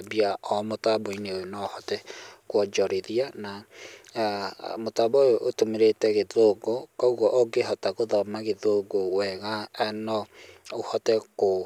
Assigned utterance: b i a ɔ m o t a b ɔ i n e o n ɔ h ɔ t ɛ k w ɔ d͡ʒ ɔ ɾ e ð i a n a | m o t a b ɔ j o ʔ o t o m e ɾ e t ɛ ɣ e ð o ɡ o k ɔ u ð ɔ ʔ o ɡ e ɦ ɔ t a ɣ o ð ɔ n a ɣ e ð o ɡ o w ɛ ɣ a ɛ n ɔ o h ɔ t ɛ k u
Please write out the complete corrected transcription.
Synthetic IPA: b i a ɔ m o t a b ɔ i n e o n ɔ h ɔ t ɛ k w ɔ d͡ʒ ɔ ɾ e ð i a n a | m o t a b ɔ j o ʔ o t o m e ɾ e t ɛ ɣ e ð o ɡ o k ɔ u ɣ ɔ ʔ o ɡ e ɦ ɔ t a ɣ o ð ɔ m a ɣ e ð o ɡ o w ɛ ɣ a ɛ n ɔ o h ɔ t ɛ k o